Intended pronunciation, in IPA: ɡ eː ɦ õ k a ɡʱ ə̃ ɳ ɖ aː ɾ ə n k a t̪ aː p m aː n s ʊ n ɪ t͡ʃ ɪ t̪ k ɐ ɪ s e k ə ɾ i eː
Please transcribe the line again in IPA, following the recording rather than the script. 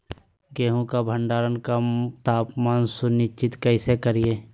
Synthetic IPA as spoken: ɡ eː ɦ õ k a bʱ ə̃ ɳ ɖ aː ɾ ə n k a t̪ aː p m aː n s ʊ n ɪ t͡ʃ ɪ t̪ k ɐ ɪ s e k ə ɾ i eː